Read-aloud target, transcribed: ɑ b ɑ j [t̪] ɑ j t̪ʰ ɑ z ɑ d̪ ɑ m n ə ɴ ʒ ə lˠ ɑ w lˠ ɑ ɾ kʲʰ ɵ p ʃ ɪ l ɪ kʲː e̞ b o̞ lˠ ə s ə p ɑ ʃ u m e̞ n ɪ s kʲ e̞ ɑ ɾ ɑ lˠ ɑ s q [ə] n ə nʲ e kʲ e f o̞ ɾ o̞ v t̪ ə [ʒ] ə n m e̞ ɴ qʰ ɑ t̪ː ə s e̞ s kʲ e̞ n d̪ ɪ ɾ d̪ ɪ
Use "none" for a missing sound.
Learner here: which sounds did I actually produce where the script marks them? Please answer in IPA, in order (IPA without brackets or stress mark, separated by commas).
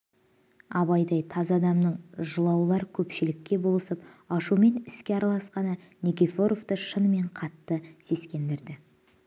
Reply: d̪, ɑ, ʃ